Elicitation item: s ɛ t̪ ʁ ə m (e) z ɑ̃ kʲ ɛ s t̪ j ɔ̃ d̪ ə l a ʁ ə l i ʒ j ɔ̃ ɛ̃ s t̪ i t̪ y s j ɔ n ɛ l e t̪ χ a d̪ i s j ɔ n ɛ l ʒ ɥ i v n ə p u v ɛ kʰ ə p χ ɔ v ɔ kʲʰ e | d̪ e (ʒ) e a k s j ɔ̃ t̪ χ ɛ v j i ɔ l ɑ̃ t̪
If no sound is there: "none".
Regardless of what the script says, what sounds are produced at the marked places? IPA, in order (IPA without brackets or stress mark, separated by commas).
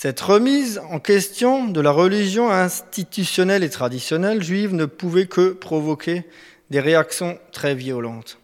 i, ʁ